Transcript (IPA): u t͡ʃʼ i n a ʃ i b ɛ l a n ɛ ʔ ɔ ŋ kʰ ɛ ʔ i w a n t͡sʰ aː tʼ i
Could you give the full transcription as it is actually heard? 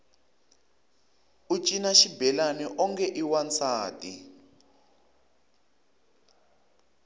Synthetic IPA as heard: u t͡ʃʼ i n a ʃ i b ɛ l a n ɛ ʔ ɔ ŋ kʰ ɛ ʔ i w a n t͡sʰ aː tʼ i